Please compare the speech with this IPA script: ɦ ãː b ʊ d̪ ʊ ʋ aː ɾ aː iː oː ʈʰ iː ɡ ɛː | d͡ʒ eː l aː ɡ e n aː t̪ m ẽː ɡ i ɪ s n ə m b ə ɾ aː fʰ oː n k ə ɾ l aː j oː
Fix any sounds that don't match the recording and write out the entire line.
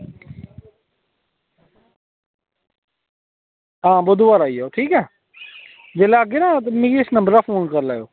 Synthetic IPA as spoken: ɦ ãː b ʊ d̪ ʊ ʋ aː ɾ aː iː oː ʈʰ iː k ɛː | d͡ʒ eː l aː ɡ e n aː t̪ m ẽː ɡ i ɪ s n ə m b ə ɾ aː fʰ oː n k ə ɾ l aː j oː